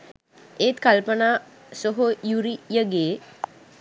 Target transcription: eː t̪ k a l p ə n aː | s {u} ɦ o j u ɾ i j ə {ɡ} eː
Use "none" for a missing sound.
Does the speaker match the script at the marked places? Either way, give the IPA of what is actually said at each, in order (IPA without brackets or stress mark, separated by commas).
o, ɡ